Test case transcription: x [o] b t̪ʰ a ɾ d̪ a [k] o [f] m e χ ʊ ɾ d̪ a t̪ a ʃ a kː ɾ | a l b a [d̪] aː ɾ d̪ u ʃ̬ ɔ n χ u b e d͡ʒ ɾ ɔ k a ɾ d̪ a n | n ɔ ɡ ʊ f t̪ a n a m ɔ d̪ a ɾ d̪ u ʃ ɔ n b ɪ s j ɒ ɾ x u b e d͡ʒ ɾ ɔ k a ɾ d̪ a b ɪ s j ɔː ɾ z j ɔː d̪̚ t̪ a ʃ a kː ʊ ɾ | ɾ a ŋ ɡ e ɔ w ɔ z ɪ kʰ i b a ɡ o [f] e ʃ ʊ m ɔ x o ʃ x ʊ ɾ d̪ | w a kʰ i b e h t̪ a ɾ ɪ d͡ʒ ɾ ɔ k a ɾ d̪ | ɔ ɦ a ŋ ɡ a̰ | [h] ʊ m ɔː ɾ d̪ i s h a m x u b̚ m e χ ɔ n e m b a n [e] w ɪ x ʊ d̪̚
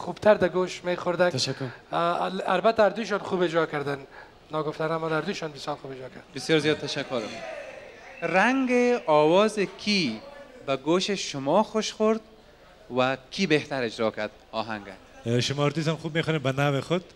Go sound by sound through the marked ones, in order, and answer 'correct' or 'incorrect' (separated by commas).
incorrect, incorrect, incorrect, incorrect, incorrect, incorrect, incorrect